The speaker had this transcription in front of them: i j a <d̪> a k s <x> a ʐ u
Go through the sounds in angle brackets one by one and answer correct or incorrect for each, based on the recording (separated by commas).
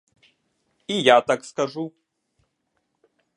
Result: incorrect, incorrect